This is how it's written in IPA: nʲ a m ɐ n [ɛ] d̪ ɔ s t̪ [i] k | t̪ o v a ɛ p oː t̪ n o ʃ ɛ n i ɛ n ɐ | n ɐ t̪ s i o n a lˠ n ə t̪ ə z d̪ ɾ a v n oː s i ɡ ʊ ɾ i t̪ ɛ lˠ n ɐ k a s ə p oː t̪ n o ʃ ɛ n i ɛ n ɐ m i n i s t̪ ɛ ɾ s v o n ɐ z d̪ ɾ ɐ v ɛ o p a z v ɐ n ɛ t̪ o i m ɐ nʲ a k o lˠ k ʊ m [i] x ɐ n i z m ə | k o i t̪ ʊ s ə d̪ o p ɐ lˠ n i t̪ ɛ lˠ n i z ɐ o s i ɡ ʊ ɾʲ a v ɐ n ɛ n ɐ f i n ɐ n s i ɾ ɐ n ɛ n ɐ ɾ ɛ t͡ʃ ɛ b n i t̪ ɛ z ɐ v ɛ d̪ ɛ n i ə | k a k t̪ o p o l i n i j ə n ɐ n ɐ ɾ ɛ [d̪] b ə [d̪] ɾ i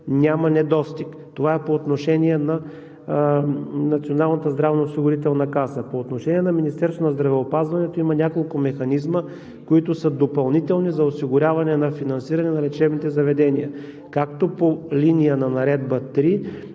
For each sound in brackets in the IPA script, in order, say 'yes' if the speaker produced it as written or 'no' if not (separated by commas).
yes, yes, no, yes, no